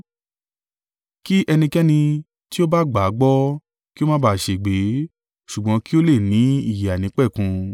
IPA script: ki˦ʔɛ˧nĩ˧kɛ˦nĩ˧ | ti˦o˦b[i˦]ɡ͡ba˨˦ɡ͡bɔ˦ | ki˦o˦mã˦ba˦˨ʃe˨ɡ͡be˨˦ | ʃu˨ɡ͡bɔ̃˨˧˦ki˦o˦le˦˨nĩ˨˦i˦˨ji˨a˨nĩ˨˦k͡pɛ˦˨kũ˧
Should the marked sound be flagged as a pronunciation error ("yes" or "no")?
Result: yes